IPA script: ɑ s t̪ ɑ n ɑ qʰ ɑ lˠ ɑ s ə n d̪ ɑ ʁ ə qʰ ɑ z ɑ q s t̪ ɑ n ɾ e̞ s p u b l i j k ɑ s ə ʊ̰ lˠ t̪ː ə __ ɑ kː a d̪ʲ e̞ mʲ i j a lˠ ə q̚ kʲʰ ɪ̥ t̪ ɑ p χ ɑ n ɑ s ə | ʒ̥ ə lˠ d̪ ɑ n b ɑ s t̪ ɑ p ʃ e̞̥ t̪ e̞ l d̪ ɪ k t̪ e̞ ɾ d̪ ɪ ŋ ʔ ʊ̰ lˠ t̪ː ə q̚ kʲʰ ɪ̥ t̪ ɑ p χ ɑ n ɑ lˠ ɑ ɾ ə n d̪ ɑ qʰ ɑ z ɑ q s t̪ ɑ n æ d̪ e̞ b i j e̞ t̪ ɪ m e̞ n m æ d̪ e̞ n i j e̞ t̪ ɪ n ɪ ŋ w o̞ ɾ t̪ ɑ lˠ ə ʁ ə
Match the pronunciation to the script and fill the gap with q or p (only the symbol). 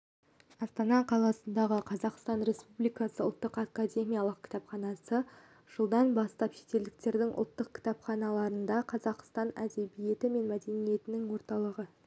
q